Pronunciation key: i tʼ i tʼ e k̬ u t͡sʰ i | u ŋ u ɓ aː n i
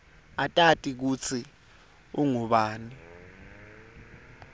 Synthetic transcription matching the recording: a tʼ a tʼ i k̬ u t͡sʰ i | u ŋ u ɓ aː n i